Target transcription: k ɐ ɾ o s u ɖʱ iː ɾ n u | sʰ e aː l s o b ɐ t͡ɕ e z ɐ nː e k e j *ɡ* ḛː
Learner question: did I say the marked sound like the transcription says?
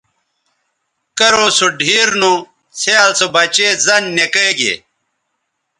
yes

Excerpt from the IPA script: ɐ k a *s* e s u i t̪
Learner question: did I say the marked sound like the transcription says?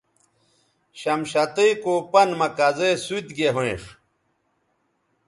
no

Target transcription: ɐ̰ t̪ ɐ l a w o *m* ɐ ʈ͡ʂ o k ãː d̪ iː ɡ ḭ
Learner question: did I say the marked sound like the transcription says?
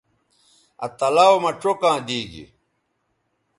yes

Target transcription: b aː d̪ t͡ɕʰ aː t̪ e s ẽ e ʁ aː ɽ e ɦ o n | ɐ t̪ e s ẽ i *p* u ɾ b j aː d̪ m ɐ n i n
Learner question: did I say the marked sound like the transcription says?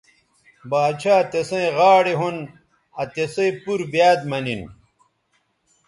yes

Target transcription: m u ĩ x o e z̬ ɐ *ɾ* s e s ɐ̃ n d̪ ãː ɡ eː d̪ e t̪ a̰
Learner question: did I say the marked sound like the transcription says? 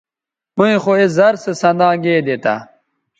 yes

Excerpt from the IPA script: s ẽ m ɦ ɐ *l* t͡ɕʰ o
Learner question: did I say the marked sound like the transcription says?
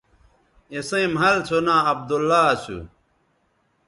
yes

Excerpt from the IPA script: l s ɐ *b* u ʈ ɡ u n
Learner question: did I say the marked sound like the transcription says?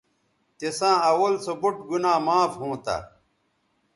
yes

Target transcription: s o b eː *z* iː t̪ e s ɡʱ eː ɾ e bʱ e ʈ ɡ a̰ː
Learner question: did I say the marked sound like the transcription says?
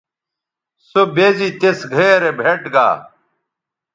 yes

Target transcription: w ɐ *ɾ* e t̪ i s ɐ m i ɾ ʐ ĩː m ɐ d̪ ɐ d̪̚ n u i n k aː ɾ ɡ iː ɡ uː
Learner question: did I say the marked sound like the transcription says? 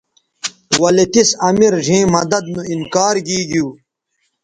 no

